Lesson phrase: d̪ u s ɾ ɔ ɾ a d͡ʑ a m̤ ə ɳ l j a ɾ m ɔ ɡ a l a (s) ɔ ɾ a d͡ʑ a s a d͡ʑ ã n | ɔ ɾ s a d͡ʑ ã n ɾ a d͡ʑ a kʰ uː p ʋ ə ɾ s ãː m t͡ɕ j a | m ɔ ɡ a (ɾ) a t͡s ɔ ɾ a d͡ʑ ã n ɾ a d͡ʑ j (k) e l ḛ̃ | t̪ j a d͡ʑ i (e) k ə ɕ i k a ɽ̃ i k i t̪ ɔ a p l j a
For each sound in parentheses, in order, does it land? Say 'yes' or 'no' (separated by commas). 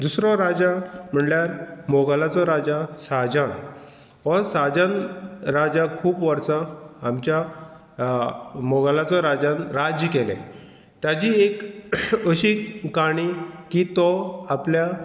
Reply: no, no, yes, yes